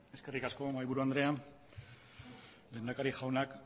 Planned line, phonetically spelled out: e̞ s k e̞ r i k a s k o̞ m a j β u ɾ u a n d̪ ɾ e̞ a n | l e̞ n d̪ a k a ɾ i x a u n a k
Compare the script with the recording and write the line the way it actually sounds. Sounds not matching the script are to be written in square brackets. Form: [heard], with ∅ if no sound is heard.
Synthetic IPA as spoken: e̞ s k e̞ r i k a s k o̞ m a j β u ɾ u a n d̪ ɾ e̞ a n | l e̞ n d̪ a k a ɾ i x a [w] n a k